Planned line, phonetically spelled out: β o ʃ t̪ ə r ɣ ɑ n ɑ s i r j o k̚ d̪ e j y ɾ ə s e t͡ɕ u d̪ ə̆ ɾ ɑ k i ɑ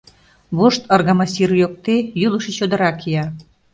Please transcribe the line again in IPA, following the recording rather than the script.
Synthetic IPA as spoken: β o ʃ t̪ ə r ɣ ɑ m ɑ s i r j o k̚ t̪ e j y l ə ʃ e t͡ɕ o d̪ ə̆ ɾ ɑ k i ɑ